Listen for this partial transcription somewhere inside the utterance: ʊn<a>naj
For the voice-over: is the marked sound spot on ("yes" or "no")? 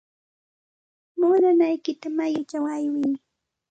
yes